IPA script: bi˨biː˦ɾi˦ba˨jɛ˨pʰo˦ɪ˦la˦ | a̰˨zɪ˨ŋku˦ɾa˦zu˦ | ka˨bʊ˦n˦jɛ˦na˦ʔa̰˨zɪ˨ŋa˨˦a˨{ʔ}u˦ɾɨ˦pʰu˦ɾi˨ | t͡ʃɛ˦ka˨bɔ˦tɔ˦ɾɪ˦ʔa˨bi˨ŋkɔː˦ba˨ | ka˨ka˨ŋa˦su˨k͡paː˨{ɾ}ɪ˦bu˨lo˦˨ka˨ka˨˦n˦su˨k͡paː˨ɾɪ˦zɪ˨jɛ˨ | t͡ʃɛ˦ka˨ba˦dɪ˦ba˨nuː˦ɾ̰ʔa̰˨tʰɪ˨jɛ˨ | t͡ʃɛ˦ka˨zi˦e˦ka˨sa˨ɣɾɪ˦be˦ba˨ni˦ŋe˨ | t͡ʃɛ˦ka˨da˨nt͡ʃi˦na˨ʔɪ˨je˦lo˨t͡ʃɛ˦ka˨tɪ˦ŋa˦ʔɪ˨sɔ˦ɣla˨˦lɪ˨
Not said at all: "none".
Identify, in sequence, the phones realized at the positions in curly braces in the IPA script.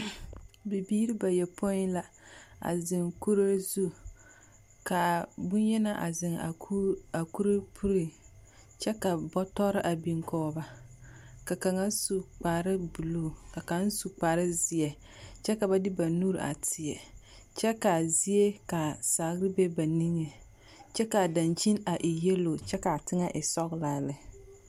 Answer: k, ɾ

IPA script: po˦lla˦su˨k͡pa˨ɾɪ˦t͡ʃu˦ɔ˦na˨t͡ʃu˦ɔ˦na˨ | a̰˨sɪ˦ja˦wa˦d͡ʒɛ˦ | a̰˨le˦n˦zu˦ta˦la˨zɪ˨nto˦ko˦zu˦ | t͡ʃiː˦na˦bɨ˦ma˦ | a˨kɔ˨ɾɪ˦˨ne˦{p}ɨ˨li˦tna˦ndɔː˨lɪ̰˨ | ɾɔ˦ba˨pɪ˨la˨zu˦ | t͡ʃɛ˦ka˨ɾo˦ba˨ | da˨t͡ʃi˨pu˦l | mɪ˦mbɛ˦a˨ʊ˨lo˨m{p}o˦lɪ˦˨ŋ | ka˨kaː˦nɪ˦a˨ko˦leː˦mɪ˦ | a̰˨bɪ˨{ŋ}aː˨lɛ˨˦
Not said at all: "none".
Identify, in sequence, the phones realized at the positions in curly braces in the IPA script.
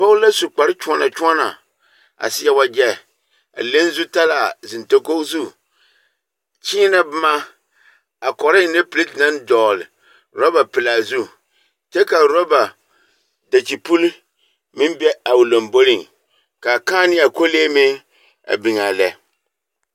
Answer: p, b, ŋ

